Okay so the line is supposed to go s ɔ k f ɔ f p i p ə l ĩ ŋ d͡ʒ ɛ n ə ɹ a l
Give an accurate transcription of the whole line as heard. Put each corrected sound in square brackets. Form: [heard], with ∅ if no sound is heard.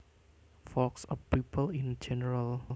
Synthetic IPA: [f] ɔ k [s] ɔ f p i p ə l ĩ [n] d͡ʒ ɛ n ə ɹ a l